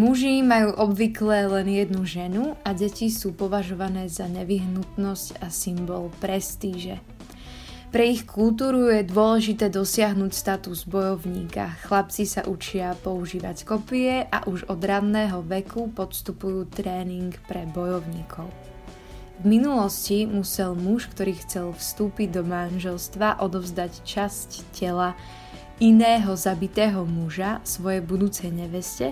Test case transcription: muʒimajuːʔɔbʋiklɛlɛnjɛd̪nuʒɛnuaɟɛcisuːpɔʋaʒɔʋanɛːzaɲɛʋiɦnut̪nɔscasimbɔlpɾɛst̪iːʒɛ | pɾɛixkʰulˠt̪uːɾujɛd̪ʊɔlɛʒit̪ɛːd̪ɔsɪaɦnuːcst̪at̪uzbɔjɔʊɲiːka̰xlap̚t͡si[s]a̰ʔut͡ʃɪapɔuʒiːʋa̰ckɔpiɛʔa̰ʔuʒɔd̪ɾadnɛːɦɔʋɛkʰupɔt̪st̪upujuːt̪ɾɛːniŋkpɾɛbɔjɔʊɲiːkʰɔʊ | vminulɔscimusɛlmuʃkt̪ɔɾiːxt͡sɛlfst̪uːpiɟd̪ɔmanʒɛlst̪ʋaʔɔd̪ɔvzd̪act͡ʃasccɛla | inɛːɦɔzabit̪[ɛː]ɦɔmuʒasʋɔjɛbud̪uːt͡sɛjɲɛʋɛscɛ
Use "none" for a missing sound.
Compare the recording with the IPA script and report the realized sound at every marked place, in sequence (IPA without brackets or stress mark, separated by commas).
s, ɛː